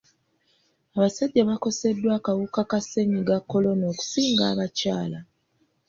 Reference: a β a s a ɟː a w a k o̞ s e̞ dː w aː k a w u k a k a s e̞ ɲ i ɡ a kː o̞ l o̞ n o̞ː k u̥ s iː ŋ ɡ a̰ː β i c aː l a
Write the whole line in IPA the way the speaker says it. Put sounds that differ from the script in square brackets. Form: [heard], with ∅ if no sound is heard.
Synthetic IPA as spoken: a β a s a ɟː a [β] a k o̞ s e̞ dː w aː k a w u k a k a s e̞ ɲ i ɡ a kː o̞ l o̞ n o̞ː k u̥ s iː ŋ ɡ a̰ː β [a] c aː l a